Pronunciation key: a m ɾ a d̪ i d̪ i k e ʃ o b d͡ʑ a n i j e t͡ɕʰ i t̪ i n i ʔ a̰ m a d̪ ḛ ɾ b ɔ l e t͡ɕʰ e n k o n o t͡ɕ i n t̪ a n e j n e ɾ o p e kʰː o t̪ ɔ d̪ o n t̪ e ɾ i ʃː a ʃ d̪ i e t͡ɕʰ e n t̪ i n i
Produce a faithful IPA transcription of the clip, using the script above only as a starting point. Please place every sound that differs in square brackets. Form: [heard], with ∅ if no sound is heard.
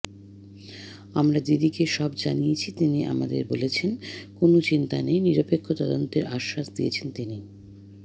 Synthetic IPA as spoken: a m ɾ a d̪ i d̪ i k e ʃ [ɔ] b d͡ʑ a n i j e t͡ɕʰ i t̪ i n i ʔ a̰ m a d̪ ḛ ɾ b [o] l e t͡ɕʰ e n k o n o t͡ɕ i n t̪ a n e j n [i] ɾ o p e kʰː o t̪ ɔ d̪ o n t̪ e ɾ [a] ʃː a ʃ d̪ i e t͡ɕʰ e n t̪ i n i